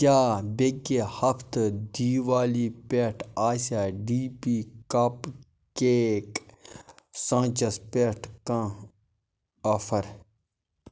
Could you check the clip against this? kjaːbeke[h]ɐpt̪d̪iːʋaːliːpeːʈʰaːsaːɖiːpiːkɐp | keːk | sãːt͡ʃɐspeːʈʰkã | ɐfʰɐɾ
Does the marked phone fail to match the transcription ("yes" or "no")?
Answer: no